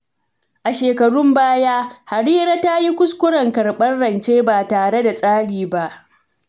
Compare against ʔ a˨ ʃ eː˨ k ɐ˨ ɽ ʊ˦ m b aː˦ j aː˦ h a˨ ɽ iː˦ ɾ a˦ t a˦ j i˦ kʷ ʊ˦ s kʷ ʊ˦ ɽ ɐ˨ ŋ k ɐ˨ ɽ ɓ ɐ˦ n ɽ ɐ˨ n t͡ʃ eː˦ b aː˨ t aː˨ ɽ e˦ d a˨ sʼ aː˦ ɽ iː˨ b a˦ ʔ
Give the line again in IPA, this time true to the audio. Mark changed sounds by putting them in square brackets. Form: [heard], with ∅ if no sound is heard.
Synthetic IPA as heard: ʔ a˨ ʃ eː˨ k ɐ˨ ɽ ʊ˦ m b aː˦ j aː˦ h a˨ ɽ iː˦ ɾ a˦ t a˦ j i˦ kʷ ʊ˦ s kʷ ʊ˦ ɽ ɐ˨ ŋ k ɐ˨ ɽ ɓ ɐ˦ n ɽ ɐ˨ n t͡ʃ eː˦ b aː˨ t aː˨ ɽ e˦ d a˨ sʼ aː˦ ɽ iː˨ b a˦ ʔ